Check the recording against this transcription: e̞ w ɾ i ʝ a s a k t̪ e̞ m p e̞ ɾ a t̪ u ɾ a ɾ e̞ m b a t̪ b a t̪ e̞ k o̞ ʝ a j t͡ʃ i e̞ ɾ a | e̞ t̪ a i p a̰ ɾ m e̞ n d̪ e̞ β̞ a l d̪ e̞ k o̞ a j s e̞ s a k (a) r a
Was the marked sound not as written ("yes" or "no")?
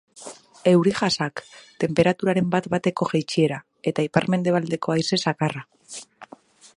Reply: no